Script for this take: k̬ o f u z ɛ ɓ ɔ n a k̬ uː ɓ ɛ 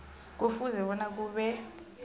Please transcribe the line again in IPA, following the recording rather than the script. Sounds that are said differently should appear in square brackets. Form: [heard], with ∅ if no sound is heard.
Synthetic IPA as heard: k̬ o f u z ɛ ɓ ɔ n a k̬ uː ɓ ɛ